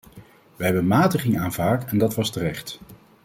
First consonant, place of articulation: labial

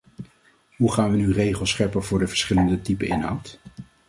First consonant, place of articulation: glottal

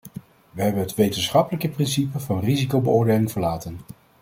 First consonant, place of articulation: labial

